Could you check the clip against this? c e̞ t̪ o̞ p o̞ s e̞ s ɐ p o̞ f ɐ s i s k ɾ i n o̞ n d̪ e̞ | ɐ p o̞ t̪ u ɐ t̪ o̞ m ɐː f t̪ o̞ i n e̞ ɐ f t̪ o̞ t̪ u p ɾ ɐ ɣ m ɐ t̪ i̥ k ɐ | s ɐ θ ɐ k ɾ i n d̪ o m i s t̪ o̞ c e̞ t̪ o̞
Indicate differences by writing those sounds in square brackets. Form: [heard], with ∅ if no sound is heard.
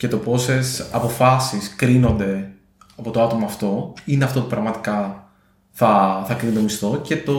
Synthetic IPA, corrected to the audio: c e̞ t̪ o̞ p o̞ s e̞ s ɐ p o̞ f ɐ s i s k ɾ i n o̞ n d̪ e̞ | ɐ p o̞ t̪ [o] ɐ t̪ o̞ m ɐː f t̪ o̞ i n e̞ ɐ f t̪ o̞ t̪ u p ɾ ɐ ɣ m ɐ t̪ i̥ k ɐ | [θ] ɐ θ ɐ k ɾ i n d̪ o m i s t̪ o̞ c e̞ t̪ o̞